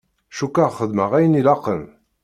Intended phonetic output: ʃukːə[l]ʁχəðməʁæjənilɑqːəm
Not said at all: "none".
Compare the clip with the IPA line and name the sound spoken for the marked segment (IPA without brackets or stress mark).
none